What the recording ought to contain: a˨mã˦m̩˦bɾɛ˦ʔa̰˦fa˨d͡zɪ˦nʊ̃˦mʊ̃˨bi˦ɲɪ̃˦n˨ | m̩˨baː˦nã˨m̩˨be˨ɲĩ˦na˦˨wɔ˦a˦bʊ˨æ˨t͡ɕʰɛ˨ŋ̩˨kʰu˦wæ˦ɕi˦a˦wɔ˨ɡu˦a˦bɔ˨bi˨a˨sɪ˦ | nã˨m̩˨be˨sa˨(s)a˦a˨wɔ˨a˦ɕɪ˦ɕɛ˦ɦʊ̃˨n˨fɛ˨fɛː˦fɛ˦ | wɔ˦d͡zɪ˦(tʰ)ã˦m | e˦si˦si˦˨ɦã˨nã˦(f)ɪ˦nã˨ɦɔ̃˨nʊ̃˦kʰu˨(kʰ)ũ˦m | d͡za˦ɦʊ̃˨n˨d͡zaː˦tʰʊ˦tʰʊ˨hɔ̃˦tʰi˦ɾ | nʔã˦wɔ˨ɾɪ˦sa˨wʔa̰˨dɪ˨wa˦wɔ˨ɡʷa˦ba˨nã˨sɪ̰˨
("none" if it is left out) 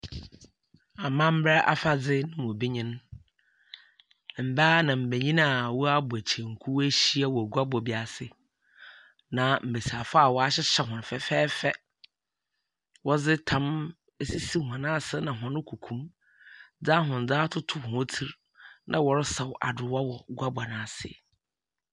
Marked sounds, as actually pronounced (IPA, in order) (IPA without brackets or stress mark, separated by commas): f, tʰ, s, kʰ